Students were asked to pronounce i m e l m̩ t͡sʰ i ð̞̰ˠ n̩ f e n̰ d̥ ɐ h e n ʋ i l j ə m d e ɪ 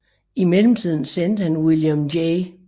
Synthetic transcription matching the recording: i m e l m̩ t͡sʰ i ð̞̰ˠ n̩ s e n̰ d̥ ə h æ n w i l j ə m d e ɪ